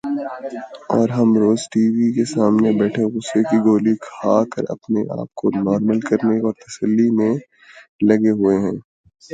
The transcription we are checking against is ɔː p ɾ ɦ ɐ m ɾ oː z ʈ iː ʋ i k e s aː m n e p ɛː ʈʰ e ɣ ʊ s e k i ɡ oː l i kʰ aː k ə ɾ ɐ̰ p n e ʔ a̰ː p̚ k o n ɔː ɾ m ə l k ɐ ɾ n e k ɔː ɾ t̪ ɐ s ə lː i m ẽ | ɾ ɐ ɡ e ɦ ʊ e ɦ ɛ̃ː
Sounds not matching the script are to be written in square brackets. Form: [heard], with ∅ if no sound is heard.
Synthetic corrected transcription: ɔː [∅] ɾ ɦ ɐ m ɾ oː z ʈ iː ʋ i k e s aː m n e [b] ɛː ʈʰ e ɣ ʊ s e k i ɡ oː l i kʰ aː k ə ɾ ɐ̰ p n e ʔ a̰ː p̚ k o n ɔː ɾ m ə l k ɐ ɾ n e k ɔː ɾ t̪ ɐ s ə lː i m ẽ | [l] ɐ ɡ e ɦ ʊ e ɦ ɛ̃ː